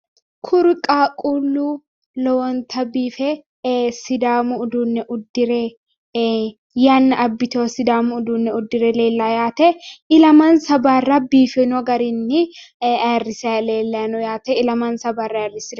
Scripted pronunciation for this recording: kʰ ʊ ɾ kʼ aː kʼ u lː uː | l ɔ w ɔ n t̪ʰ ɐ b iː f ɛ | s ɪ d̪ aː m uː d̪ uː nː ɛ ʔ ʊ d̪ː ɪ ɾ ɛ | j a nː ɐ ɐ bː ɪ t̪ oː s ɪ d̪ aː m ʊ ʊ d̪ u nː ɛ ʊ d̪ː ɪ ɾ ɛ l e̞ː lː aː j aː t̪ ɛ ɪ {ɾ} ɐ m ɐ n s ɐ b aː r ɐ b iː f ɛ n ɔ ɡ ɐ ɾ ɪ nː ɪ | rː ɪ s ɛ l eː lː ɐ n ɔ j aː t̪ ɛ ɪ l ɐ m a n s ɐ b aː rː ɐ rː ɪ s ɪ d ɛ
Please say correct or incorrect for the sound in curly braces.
incorrect